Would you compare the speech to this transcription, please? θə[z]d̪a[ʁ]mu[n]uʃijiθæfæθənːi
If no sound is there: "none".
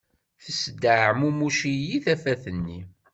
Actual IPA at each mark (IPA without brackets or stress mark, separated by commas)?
s, ʕ, m